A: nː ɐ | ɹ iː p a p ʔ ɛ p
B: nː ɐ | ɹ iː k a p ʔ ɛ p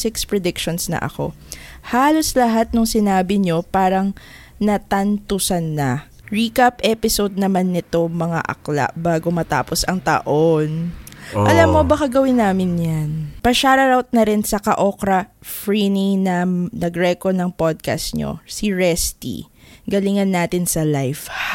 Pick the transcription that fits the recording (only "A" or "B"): B